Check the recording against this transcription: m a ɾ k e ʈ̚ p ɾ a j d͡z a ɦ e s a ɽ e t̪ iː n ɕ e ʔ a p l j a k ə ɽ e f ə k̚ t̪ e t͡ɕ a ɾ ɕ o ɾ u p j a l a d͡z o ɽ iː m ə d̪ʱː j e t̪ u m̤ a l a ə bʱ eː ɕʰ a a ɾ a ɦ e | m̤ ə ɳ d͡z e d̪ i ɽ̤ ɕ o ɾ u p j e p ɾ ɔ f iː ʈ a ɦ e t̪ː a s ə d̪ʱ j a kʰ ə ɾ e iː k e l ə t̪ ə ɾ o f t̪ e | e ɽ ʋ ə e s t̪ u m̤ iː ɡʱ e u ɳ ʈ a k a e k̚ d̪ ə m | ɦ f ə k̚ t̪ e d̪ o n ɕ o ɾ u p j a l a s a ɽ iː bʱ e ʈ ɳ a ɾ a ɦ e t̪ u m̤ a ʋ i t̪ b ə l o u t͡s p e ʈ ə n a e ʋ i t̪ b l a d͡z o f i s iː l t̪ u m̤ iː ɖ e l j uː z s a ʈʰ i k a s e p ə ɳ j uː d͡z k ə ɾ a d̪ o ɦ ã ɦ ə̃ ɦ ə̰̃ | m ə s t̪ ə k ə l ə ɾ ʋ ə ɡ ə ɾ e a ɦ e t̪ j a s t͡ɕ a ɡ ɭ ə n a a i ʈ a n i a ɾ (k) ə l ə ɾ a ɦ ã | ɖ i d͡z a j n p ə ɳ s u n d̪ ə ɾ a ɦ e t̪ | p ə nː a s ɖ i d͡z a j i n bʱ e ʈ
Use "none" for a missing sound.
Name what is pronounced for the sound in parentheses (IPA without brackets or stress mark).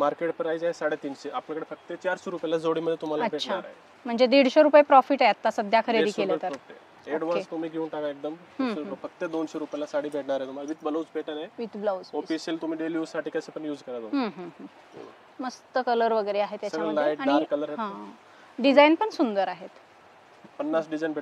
k